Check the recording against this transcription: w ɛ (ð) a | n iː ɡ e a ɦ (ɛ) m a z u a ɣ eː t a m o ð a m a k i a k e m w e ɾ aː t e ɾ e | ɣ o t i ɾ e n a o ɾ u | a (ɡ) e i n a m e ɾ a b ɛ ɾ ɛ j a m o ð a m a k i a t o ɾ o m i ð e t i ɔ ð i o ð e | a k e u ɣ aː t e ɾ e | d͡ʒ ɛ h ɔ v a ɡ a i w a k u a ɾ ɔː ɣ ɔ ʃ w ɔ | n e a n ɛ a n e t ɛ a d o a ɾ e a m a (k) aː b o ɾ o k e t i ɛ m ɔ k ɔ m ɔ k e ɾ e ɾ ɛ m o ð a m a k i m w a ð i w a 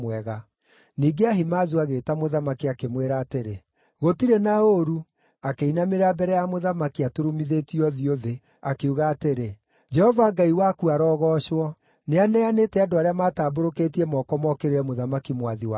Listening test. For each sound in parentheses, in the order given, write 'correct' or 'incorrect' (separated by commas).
incorrect, incorrect, incorrect, incorrect